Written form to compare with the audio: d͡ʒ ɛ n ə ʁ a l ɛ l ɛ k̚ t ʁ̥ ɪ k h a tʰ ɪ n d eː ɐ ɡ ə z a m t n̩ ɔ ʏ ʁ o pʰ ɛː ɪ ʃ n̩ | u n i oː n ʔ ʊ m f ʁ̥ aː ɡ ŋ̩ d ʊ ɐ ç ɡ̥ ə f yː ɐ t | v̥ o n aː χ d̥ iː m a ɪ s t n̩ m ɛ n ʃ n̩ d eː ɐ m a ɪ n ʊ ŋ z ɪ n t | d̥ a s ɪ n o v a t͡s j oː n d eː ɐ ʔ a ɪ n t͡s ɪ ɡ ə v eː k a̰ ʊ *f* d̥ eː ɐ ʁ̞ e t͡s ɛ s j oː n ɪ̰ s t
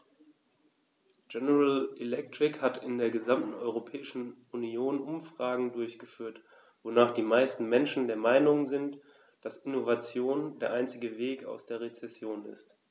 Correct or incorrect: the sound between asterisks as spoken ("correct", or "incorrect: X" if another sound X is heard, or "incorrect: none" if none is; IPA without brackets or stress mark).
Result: incorrect: s